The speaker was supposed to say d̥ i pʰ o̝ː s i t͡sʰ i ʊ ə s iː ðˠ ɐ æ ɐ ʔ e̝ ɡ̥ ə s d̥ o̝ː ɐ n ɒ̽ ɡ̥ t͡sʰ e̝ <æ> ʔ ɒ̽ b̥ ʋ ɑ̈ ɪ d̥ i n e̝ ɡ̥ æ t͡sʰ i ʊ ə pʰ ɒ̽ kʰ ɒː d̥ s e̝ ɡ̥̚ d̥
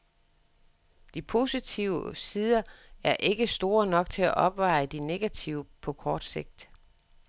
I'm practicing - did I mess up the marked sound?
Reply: no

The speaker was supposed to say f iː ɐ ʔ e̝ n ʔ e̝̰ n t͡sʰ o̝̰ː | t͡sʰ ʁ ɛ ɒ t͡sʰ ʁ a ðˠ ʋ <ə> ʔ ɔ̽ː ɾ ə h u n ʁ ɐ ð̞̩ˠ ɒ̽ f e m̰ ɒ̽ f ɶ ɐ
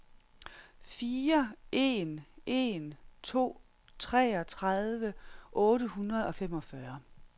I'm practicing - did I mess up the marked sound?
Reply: no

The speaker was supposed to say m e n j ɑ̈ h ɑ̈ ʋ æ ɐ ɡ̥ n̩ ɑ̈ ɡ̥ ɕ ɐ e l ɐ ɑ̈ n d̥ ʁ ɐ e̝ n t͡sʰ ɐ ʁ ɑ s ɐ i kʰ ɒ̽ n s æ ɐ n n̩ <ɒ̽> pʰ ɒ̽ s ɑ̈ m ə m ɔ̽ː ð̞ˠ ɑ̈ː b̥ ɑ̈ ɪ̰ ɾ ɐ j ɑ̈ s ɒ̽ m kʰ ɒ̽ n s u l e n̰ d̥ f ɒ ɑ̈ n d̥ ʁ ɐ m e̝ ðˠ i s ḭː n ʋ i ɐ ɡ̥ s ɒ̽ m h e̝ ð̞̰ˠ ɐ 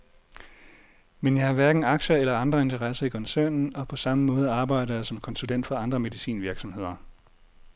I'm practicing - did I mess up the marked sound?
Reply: no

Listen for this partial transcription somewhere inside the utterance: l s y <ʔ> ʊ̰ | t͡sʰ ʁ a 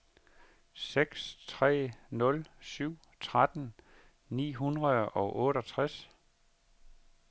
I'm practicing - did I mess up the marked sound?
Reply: yes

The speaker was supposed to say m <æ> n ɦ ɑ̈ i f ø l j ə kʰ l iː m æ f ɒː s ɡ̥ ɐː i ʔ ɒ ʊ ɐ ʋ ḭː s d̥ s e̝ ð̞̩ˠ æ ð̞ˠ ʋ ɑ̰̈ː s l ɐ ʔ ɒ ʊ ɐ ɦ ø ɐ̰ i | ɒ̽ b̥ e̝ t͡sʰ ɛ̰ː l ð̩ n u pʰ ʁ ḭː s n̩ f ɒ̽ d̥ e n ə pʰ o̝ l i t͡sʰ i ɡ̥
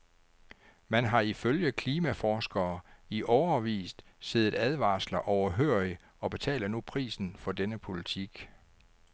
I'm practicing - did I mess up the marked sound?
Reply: no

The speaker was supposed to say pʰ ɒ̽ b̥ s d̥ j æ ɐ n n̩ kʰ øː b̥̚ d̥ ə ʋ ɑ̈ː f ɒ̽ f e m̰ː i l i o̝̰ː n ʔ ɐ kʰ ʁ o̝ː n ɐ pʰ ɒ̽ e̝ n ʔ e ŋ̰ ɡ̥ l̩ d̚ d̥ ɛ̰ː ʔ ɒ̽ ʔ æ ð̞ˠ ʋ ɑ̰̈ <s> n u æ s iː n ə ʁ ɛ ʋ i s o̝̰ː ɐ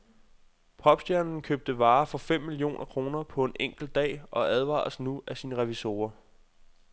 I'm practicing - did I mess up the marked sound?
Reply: no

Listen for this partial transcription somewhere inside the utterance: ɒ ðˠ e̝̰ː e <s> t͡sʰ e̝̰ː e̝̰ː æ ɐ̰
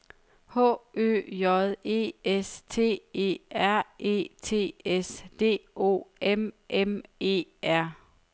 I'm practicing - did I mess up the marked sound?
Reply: no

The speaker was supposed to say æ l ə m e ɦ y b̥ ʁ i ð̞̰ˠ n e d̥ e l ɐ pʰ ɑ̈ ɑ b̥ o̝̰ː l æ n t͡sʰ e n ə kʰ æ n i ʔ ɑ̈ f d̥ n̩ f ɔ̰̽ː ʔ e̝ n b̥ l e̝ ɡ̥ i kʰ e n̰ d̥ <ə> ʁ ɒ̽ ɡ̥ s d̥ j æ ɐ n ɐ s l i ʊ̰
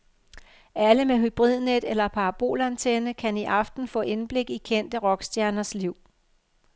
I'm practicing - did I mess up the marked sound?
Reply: no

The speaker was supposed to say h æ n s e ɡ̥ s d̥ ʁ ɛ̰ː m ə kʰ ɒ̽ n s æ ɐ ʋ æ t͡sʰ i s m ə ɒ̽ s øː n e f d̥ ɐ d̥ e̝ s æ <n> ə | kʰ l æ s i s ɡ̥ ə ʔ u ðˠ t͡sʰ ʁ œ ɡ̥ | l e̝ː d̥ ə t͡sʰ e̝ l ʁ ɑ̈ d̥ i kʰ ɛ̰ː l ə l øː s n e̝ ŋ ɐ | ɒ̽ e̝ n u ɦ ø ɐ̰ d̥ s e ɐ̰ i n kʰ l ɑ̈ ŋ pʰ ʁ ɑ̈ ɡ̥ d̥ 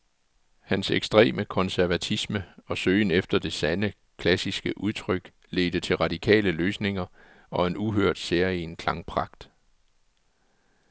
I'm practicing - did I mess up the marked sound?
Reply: no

